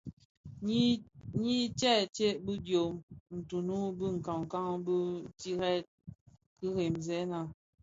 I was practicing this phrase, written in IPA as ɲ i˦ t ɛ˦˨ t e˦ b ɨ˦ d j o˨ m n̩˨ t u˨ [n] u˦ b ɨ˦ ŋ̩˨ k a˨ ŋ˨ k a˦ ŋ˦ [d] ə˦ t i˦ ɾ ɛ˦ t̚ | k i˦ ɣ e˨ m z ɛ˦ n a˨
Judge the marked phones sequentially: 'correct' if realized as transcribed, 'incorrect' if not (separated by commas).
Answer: correct, incorrect